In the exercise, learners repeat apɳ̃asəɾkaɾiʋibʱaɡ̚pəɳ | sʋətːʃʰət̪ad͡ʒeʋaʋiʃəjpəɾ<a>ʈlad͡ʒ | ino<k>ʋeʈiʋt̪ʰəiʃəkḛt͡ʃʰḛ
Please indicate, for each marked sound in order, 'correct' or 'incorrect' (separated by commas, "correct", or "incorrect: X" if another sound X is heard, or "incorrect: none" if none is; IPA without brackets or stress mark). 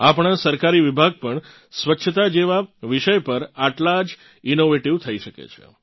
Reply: correct, incorrect: none